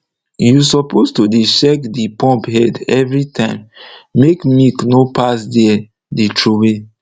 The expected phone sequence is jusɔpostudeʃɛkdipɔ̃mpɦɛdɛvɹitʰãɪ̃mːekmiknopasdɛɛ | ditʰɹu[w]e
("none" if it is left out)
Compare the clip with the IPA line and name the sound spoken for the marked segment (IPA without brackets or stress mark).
w